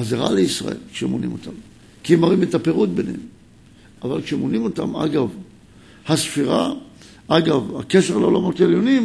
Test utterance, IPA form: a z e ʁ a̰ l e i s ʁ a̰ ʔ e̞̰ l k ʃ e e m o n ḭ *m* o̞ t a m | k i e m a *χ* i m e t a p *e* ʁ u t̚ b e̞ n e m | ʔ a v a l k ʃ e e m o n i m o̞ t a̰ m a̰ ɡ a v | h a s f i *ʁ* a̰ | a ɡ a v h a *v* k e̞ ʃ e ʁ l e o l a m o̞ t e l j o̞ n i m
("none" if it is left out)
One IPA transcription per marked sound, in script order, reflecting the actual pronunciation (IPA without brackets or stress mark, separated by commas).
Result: m, ʁ, e, ʁ, none